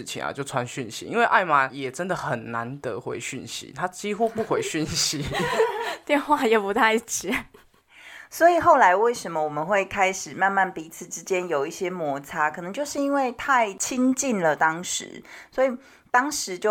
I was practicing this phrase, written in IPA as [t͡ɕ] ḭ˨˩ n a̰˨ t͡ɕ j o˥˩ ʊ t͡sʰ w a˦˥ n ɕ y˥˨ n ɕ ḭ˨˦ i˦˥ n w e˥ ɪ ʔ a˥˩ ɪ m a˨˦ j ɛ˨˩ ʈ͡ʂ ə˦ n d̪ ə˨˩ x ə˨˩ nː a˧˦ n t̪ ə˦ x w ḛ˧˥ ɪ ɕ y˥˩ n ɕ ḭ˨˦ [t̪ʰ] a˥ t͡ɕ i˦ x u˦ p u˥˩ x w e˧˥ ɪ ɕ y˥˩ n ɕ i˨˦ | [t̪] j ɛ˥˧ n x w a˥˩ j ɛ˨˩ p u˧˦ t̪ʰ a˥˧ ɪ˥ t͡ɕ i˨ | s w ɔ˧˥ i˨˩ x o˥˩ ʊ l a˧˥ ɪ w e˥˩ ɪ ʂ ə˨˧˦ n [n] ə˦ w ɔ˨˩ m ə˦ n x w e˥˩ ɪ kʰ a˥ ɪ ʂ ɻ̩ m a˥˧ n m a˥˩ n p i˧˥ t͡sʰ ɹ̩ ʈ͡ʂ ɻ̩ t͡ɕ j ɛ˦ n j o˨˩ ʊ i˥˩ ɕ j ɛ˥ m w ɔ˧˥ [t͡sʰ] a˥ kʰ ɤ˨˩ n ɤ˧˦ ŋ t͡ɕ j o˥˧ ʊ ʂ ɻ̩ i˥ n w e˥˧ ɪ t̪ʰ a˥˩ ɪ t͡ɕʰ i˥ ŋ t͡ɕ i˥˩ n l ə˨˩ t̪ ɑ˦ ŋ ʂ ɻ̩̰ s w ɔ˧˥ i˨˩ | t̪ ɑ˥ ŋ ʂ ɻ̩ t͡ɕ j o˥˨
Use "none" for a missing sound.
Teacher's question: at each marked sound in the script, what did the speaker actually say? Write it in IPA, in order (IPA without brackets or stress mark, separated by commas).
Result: t͡ɕʰ, t̪ʰ, t̪, m, t͡sʰ